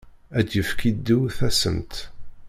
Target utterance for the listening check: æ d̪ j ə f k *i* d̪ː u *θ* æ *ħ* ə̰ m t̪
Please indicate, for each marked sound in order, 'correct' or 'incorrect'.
correct, correct, incorrect

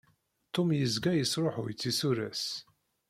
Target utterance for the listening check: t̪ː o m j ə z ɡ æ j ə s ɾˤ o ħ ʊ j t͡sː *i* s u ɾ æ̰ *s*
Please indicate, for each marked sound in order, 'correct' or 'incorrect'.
correct, correct

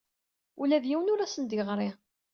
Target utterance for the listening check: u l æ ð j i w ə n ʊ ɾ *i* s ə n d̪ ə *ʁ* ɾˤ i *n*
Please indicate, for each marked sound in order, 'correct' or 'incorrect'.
incorrect, correct, incorrect

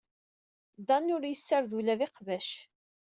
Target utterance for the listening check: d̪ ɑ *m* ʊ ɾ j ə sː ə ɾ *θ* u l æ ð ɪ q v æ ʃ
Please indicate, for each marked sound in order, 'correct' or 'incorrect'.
incorrect, incorrect

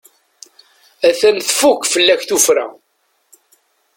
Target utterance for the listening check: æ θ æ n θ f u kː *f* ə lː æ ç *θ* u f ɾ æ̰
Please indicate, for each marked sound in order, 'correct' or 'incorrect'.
correct, correct

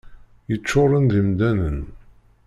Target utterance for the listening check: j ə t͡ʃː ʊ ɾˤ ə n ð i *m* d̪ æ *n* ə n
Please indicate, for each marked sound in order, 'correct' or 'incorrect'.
correct, correct

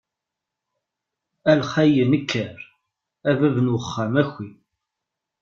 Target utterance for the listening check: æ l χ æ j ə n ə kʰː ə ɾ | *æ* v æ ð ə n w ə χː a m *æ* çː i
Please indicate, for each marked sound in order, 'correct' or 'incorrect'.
correct, correct

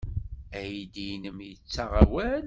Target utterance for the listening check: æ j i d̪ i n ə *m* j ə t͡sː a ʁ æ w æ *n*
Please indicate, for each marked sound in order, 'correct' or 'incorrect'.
correct, correct

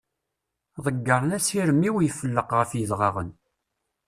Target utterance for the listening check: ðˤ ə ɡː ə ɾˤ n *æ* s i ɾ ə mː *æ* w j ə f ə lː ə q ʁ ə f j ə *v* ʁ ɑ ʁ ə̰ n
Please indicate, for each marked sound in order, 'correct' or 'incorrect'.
correct, incorrect, incorrect

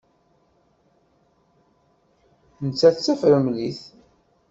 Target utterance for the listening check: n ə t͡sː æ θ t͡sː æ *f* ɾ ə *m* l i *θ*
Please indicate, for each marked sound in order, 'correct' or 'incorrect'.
correct, correct, correct

